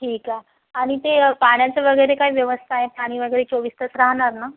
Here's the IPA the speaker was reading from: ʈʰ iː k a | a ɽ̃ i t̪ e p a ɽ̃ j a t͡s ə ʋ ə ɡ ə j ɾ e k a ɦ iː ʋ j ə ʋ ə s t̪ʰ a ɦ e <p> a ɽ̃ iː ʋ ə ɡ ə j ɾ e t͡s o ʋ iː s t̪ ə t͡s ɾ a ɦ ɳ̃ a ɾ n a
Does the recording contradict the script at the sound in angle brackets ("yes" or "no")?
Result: no